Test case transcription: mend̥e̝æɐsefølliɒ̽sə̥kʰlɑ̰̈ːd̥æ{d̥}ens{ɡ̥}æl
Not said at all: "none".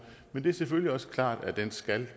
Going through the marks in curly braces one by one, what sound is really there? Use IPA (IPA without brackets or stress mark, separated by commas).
d̥, ɡ̥